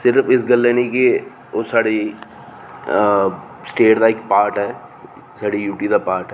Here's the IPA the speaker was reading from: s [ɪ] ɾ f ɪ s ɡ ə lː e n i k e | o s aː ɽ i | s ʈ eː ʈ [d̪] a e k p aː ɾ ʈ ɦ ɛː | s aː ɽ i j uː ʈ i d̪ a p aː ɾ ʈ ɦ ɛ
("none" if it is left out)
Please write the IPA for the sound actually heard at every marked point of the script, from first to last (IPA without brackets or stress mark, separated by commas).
ɪ, d̪